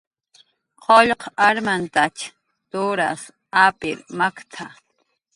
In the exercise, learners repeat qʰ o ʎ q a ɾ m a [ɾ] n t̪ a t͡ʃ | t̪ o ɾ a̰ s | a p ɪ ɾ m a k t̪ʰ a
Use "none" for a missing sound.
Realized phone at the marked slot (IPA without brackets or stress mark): none